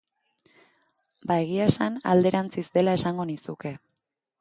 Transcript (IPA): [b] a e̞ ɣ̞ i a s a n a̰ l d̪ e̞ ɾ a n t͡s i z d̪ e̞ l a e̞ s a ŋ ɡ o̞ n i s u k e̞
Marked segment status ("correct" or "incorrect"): correct